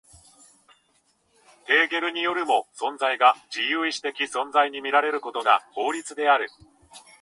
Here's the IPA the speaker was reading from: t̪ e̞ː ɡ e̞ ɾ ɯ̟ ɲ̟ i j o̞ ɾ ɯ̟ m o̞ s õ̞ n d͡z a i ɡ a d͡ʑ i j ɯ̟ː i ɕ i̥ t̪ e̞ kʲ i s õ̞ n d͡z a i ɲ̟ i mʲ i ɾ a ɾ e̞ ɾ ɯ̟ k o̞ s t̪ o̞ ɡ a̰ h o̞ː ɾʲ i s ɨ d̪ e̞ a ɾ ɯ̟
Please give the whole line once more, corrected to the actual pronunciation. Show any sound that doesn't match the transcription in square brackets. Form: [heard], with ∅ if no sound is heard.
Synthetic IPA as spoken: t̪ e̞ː ɡ e̞ ɾ ɯ̟ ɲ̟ i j o̞ ɾ ɯ̟ m o̞ s õ̞ n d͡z a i ɡ a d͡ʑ i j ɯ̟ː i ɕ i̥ t̪ e̞ kʲ i s õ̞ n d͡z a i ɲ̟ i mʲ i ɾ a ɾ e̞ ɾ ɯ̟ k o̞ [∅] t̪ o̞ ɡ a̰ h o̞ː ɾʲ i [t͡s] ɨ d̪ e̞ a ɾ ɯ̟